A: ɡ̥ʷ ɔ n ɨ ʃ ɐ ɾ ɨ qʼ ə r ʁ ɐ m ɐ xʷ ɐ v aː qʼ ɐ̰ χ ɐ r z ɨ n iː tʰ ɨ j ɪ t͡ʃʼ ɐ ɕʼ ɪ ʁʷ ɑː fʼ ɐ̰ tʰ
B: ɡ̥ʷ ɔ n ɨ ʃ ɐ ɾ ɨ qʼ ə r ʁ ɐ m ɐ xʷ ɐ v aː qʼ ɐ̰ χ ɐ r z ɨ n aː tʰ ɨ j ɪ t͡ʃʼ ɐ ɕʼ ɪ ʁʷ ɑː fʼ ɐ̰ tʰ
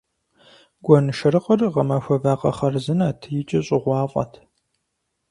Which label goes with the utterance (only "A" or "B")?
B